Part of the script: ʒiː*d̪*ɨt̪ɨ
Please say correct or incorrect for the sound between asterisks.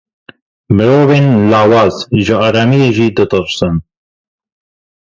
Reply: correct